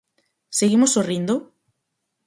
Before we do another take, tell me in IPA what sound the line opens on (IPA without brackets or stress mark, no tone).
s